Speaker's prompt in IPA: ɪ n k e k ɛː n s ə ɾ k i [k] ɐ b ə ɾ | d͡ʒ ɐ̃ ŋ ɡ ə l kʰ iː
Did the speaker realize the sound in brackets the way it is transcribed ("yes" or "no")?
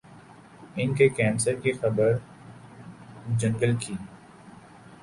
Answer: no